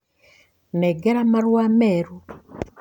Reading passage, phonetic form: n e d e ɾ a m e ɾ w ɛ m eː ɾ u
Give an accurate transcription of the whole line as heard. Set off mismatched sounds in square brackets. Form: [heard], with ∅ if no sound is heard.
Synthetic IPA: n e [ɡ] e ɾ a m [a] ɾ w [a] m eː ɾ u